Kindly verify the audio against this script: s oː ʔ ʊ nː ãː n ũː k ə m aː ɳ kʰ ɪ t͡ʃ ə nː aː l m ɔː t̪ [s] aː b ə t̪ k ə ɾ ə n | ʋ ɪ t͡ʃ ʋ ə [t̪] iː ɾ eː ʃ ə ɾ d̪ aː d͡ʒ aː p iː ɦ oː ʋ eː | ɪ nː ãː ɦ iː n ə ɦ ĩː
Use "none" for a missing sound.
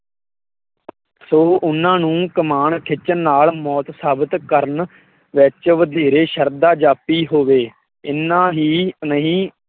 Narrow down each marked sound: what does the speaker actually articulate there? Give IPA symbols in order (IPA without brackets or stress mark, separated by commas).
s, d̪